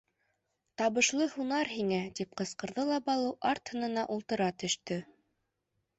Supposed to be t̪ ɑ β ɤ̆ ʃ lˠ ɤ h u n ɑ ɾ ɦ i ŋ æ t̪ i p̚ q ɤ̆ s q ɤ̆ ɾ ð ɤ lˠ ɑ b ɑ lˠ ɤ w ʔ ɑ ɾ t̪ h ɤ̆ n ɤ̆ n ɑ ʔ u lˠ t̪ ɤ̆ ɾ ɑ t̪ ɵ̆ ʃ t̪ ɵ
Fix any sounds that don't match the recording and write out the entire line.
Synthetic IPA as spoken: t̪ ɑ β ɤ̆ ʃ lˠ ɤ h u n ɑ ɾ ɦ i ŋ æ t̪ i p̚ q ɤ̆ s q ɤ̆ ɾ ð ɤ lˠ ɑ b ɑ lˠ ɤ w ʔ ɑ ɾ t̪ h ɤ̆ n ɤ̆ n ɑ ʔ u lˠ t̪ ɤ̆ ɾ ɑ t̪ ɵ̆ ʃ t̪ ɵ

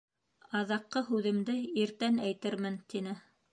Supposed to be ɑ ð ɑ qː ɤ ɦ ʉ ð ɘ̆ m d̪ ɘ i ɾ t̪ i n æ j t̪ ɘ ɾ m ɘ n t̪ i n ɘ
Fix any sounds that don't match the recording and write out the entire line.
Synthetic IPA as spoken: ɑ ð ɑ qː ɤ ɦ ʉ ð ɘ̆ m d̪ ɘ i ɾ t̪ æ n æ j t̪ ɘ ɾ m ɘ n t̪ i n ɘ

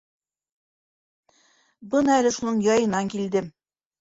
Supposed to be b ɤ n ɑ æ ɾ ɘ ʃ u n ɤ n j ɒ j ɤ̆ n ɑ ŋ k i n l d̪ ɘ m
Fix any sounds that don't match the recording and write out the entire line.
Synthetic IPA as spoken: b ɤ n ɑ æ l ɘ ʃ u n ɤ ɴ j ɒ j ɤ̆ n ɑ ŋ k i l d̪ ɘ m

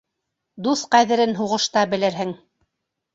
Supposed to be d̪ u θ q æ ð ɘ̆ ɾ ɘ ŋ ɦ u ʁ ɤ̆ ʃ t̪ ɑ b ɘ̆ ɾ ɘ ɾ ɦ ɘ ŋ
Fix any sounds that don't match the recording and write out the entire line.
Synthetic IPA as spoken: d̪ u θ q æ ð ɘ̆ ɾ ɘ n ɦ u ʁ ɤ̆ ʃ t̪ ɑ b ɘ̆ l ɘ ɾ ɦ ɘ ŋ

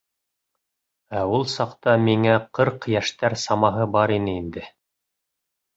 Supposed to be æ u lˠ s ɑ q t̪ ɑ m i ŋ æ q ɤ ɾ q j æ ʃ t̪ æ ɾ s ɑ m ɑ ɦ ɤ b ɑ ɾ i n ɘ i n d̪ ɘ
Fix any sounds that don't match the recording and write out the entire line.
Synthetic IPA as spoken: æ u lˠ s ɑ q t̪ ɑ m i ŋ æ q ɤ ɾ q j æ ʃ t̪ æ ɾ s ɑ m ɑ ɦ ɤ b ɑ ɾ i n ɘ i n d̪ ɘ

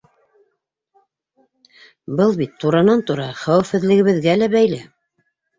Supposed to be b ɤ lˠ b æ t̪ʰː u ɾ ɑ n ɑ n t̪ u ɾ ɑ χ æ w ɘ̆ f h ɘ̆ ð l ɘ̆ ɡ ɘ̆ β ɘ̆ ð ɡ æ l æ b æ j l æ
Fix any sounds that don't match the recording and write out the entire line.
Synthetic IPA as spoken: b ɤ lˠ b i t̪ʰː u ɾ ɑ n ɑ n t̪ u ɾ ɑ χ æ w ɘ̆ f h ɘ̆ ð l ɘ̆ ɡ ɘ̆ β ɘ̆ ð ɡ æ l æ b æ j l æ

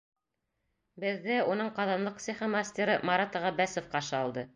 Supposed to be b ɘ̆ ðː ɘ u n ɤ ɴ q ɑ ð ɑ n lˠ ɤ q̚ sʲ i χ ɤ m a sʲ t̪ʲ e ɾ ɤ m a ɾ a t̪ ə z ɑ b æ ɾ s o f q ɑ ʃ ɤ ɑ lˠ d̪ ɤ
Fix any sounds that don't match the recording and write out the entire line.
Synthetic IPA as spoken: b ɘ̆ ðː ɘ u n ɤ ɴ q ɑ ð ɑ n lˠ ɤ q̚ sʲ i χ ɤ m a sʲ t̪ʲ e ɾ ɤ m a ɾ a t̪ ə ʁ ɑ b æ s o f q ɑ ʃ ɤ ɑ lˠ d̪ ɤ

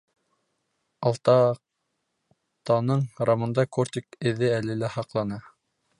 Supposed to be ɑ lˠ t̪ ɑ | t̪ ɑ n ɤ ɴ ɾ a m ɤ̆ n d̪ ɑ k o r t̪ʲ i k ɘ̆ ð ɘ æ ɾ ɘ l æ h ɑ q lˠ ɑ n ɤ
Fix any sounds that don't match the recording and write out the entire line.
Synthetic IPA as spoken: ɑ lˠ t̪ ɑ | t̪ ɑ n ɤ ɴ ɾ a m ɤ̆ n d̪ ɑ k o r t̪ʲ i k ɘ̆ ð ɘ æ l ɘ l æ h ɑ q lˠ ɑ n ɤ

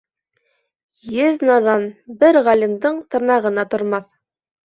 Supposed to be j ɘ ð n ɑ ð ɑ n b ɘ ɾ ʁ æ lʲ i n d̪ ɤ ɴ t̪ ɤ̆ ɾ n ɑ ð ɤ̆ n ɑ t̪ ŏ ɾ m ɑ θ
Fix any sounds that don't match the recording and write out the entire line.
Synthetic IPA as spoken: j ɘ ð n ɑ ð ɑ n b ɘ ɾ ʁ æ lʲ i m d̪ ɤ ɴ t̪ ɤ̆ ɾ n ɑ ʁ ɤ̆ n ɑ t̪ ŏ ɾ m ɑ θ

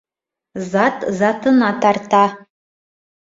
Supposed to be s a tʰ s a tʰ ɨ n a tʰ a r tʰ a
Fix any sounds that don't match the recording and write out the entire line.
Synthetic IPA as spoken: z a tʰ z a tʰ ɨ n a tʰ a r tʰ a

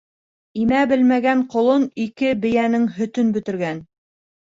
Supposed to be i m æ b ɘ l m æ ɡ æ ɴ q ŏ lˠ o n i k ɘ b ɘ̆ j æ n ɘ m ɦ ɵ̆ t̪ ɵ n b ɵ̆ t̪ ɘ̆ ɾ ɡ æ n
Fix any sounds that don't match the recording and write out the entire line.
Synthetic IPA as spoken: i m æ b ɘ l m æ ɡ æ ɴ q ŏ lˠ o n i k ɘ b ɘ̆ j æ n ɘ ŋ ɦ ɵ̆ t̪ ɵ n b ɵ̆ t̪ ɘ̆ ɾ ɡ æ n

